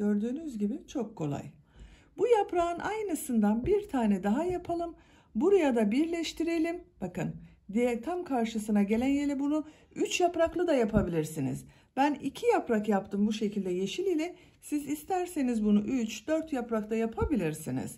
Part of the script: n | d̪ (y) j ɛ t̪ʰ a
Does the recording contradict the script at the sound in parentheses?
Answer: yes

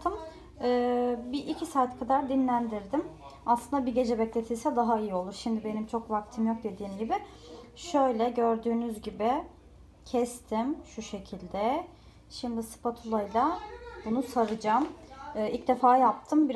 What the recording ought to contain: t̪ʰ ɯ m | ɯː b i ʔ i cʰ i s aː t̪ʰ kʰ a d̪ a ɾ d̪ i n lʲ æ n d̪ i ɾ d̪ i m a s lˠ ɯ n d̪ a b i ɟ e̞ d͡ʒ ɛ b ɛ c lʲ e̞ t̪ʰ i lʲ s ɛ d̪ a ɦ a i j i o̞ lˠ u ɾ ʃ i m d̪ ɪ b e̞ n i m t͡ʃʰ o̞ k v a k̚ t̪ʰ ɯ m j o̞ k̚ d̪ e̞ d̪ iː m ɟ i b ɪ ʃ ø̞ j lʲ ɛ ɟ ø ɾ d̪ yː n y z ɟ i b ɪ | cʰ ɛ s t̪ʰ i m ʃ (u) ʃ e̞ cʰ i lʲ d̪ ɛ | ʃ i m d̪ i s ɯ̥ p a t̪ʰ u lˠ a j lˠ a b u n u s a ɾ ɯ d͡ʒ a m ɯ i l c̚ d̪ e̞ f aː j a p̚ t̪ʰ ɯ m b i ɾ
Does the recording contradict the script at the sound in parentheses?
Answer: no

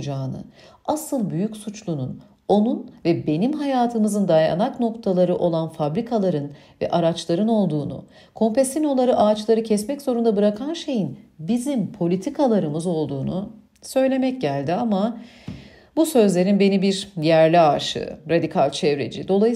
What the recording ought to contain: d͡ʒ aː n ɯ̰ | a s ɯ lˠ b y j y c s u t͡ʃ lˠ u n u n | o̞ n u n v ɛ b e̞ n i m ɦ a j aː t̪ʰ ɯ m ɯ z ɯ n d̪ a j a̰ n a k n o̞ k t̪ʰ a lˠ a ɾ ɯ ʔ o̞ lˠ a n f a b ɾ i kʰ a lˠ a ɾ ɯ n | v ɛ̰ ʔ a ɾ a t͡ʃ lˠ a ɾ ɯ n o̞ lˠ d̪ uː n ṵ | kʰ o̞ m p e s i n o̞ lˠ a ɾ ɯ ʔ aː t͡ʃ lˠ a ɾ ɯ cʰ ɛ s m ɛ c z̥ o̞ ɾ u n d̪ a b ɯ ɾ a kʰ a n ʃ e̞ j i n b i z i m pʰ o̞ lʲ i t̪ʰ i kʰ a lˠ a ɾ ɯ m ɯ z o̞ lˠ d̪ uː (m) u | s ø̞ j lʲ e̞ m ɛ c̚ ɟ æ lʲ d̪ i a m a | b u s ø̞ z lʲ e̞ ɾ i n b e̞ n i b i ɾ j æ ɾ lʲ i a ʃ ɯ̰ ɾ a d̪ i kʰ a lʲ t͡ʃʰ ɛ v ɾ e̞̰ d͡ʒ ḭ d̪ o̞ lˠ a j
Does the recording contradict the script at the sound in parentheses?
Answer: yes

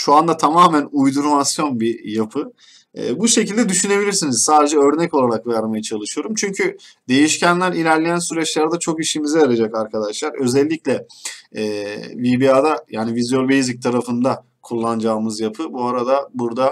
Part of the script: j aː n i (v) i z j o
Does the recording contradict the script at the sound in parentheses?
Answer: no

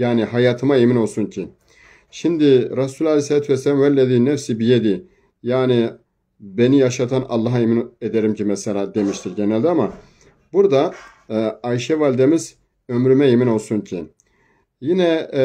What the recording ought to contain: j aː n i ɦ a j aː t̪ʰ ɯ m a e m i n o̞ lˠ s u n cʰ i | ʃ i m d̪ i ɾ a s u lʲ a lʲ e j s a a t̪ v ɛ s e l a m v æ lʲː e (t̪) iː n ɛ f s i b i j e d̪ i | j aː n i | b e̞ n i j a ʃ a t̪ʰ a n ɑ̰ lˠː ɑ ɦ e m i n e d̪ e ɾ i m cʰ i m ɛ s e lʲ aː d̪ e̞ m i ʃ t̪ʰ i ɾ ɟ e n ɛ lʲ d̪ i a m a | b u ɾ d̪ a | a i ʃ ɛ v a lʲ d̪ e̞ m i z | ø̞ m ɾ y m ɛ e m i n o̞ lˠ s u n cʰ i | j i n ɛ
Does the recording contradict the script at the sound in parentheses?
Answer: yes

